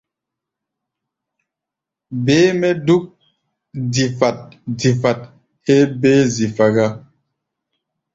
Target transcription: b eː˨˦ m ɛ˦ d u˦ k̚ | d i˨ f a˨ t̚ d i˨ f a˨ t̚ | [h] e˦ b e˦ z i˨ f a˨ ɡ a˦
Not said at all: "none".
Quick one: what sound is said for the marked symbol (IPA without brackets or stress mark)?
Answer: h